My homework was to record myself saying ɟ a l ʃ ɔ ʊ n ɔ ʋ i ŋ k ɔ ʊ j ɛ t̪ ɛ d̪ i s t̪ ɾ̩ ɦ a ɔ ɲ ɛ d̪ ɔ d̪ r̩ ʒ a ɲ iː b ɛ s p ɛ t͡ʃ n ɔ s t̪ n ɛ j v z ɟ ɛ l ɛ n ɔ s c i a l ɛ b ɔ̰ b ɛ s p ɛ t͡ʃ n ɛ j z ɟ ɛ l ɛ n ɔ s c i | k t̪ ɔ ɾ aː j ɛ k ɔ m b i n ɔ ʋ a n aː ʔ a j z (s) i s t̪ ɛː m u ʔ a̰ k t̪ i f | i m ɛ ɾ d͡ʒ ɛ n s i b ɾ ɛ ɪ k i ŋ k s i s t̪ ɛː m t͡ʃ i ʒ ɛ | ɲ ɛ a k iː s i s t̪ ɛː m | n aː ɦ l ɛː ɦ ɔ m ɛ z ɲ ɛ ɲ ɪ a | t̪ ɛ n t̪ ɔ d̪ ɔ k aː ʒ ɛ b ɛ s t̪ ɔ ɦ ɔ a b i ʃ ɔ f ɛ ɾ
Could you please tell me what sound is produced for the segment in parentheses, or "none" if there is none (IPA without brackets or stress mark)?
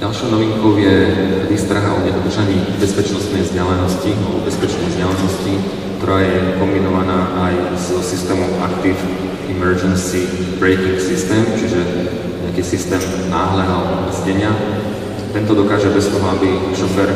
s